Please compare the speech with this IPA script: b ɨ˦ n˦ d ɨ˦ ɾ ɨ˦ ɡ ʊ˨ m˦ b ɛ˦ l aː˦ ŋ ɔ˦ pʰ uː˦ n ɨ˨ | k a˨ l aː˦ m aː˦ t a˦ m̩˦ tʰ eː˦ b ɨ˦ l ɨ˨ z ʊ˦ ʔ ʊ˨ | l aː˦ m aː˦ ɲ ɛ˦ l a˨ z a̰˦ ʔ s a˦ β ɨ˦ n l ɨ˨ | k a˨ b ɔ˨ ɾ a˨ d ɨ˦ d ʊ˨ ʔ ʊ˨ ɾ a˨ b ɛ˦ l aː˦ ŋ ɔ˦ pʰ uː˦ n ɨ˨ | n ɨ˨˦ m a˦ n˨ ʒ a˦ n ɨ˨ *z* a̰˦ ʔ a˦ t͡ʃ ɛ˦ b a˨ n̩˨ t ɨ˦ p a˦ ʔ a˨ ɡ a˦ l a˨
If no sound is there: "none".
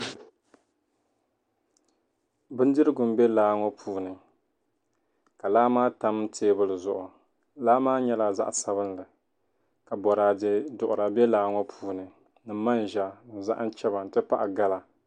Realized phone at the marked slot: z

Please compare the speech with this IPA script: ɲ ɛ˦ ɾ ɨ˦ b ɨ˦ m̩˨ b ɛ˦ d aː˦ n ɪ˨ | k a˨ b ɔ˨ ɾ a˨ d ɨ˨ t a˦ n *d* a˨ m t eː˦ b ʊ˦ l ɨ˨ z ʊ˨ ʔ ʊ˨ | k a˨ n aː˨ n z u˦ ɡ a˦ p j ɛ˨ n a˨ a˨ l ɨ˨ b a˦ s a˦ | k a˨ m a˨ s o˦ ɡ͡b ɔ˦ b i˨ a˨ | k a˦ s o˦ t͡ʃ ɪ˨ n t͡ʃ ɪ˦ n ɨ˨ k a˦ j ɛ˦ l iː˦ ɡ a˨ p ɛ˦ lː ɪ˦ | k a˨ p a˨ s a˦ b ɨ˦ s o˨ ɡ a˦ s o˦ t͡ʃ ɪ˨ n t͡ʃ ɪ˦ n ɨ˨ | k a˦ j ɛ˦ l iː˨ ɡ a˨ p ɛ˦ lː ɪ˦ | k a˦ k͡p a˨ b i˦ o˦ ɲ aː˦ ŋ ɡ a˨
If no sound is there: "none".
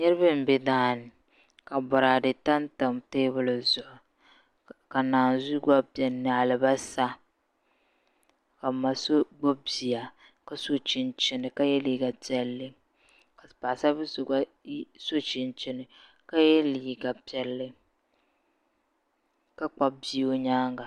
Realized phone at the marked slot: t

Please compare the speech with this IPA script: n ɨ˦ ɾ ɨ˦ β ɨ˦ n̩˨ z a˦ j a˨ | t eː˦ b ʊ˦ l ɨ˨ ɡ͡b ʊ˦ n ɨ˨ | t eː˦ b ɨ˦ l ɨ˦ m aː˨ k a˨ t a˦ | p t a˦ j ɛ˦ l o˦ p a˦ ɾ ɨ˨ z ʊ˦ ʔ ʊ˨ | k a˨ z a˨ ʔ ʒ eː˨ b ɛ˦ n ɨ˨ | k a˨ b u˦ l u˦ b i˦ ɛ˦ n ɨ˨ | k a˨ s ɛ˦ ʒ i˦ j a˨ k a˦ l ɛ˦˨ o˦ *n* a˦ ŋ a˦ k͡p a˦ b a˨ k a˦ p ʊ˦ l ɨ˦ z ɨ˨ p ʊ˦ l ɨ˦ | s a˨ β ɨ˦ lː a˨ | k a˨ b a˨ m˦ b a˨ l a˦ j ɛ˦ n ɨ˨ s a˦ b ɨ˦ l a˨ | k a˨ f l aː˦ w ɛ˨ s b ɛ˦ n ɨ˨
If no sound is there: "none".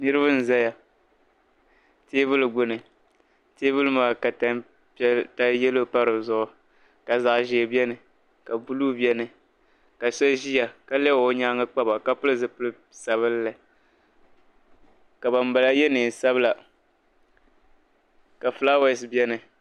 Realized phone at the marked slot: ɲ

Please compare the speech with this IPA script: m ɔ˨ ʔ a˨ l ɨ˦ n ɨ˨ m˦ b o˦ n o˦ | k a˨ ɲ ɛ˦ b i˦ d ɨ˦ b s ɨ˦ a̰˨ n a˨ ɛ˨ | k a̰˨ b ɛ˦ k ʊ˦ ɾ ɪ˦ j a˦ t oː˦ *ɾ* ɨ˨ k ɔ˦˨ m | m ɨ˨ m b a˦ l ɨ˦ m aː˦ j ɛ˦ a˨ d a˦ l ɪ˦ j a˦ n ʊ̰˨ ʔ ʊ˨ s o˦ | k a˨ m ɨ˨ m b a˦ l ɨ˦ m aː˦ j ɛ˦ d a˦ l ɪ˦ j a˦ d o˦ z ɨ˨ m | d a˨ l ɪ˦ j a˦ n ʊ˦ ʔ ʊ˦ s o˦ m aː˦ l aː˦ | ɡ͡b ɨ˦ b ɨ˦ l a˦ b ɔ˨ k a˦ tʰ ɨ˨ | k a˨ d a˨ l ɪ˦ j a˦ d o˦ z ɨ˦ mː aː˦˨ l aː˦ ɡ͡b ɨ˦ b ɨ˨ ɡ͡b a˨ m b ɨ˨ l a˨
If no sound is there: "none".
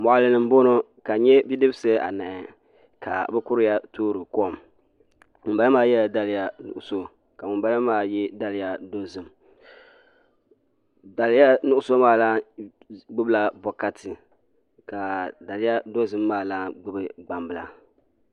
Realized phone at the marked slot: ɾ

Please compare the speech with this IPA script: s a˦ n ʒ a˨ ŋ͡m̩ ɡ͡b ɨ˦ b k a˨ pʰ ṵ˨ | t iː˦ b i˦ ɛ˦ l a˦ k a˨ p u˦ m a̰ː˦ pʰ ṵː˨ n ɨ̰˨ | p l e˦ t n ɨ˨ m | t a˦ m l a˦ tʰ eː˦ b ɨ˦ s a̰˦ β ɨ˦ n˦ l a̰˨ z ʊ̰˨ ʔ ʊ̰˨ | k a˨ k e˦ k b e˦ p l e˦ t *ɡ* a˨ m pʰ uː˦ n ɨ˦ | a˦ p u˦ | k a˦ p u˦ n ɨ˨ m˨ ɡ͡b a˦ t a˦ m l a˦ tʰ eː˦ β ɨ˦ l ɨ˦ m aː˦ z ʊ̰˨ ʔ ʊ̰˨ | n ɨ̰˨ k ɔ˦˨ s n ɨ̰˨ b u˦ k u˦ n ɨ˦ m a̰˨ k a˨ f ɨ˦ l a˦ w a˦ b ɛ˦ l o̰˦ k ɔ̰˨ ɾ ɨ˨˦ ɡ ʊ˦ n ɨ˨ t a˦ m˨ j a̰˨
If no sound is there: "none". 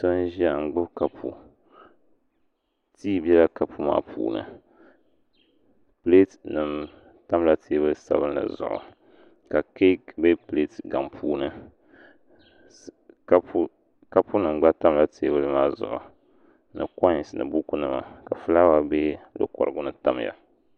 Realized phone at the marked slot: ɡ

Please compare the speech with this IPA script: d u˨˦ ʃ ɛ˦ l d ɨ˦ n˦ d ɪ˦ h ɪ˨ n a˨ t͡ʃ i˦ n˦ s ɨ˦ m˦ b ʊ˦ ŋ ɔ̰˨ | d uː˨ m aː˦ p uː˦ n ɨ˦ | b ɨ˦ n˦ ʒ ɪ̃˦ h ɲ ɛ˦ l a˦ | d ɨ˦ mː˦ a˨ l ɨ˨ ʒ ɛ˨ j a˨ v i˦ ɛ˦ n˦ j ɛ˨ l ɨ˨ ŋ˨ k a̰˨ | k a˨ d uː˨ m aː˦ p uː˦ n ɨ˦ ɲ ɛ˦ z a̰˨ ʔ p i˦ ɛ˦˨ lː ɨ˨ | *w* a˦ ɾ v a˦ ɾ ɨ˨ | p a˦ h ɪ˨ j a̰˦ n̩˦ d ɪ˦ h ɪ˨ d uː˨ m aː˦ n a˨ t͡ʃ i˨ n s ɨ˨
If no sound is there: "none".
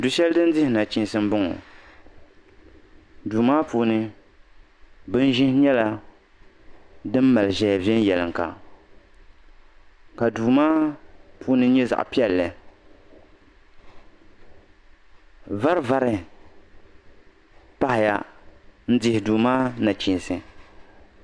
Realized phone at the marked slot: v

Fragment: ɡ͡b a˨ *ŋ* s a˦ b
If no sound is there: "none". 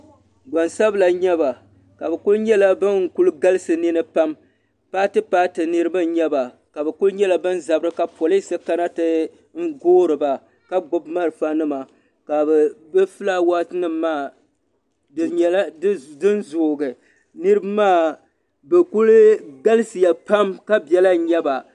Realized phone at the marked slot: n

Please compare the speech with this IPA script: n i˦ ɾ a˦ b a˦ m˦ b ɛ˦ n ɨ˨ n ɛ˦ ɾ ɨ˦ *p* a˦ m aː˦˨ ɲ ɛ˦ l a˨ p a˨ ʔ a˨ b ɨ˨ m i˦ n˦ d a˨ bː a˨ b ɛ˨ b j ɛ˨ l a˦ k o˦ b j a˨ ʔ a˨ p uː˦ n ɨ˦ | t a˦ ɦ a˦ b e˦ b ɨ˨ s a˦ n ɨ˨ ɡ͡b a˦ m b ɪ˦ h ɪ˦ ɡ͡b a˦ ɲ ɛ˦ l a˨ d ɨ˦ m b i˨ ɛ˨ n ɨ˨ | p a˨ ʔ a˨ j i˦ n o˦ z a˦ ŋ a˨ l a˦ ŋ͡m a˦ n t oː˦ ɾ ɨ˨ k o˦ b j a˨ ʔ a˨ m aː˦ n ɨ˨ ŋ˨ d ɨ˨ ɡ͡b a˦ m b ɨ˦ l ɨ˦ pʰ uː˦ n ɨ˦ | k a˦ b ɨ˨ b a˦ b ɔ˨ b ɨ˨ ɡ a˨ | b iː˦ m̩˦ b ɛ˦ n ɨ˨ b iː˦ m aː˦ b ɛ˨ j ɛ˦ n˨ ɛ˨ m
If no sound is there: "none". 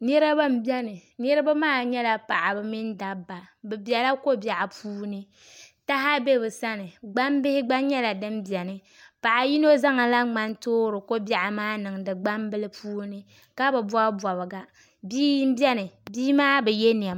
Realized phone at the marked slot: b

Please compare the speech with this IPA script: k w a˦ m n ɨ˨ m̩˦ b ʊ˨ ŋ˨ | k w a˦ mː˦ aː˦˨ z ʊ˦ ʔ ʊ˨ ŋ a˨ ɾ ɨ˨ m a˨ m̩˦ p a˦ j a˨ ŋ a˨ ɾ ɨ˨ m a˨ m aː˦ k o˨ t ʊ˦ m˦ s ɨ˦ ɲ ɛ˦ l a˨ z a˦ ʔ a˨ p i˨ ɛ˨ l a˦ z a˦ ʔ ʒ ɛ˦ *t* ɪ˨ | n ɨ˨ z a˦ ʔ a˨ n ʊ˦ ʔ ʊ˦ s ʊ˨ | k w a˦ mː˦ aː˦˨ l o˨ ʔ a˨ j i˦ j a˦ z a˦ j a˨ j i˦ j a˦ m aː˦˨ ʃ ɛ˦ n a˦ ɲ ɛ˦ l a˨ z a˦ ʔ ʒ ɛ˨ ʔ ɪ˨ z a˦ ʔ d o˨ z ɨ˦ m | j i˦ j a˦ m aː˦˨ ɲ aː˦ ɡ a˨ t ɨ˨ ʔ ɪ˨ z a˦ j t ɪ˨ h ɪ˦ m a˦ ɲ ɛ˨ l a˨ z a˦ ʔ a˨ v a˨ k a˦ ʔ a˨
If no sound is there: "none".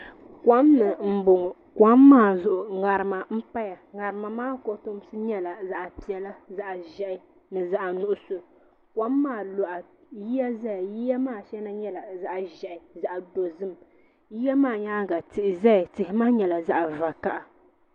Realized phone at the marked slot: ʔ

